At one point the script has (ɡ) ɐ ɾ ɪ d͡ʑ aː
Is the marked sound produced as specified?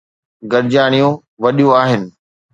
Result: yes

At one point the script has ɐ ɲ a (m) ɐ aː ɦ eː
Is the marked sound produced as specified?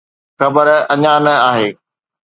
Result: no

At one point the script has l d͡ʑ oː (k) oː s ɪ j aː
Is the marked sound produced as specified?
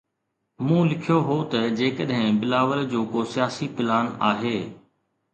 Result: yes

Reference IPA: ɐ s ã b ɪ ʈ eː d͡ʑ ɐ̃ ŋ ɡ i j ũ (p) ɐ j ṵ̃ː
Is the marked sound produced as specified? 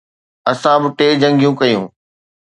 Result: no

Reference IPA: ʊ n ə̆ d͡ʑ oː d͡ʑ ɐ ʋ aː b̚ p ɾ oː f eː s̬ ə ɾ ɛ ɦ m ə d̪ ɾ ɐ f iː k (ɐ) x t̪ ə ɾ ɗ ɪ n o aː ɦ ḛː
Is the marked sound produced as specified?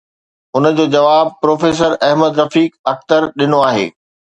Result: yes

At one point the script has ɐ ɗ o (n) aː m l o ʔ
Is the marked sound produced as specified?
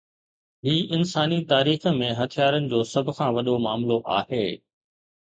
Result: no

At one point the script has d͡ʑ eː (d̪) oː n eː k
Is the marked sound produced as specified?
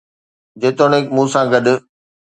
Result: no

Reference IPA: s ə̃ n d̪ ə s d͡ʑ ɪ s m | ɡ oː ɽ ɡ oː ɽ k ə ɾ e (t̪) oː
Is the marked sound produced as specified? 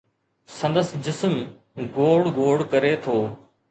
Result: no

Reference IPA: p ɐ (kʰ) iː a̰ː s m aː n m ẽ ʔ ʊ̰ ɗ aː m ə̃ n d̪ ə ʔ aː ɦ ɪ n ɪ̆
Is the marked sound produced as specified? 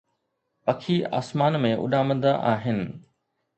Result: yes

